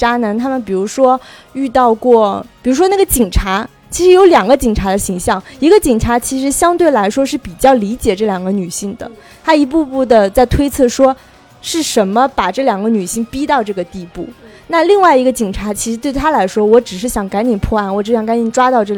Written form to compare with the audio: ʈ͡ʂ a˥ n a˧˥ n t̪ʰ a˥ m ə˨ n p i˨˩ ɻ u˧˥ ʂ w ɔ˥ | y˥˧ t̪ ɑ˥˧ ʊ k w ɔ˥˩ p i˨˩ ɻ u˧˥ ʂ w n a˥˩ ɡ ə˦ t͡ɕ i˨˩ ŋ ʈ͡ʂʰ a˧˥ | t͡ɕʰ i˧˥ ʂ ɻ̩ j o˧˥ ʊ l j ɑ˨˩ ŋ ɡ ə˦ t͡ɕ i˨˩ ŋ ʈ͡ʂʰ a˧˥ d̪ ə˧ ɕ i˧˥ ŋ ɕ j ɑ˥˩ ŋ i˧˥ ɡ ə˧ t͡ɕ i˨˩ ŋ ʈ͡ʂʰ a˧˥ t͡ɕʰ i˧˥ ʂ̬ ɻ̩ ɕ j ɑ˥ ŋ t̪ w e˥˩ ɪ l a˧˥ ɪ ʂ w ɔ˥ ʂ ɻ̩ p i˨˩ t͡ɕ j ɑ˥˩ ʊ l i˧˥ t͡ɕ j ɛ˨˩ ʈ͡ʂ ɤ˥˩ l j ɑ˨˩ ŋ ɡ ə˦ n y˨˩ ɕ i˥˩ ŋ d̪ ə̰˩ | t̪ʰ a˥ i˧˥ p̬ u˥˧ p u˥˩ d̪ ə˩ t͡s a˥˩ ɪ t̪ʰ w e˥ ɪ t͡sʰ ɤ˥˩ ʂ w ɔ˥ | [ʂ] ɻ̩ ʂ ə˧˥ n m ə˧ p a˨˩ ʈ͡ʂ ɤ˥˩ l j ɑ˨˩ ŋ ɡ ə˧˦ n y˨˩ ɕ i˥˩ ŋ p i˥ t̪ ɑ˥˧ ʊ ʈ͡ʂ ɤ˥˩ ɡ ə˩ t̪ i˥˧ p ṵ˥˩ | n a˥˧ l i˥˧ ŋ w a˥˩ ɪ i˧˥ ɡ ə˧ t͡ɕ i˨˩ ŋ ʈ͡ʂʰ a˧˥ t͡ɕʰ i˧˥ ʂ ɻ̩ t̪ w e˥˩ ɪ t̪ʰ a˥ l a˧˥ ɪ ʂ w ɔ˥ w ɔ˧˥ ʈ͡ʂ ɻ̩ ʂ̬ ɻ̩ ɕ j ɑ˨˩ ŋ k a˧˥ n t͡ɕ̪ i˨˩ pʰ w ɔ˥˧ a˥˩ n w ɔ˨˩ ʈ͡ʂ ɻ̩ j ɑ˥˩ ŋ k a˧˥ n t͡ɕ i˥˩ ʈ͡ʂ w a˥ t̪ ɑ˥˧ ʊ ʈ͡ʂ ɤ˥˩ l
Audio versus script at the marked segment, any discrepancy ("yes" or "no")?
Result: no